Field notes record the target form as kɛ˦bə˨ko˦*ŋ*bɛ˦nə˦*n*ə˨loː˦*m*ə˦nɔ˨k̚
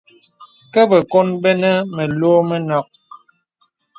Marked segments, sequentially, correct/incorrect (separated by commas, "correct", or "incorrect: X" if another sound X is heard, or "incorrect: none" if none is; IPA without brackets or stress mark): incorrect: n, incorrect: m, correct